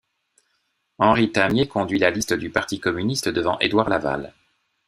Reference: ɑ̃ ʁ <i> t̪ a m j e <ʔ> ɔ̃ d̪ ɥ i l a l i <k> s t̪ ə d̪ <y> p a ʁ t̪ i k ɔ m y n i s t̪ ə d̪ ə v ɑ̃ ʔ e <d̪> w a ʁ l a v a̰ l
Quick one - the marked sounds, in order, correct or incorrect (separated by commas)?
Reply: correct, incorrect, incorrect, correct, correct